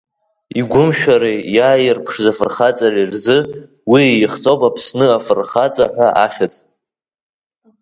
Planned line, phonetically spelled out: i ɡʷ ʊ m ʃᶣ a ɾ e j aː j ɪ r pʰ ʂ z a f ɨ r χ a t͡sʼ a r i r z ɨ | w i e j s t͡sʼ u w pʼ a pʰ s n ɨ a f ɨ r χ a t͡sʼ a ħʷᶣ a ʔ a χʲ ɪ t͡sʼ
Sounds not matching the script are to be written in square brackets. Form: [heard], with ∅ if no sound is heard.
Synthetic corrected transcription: i ɡʷ ʊ m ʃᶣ a ɾ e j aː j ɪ r pʰ ʂ z a f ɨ r χ a t͡sʼ a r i r z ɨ | w i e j [χ] t͡sʼ [o] w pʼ a pʰ s n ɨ a f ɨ r χ a t͡sʼ a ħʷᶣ a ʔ a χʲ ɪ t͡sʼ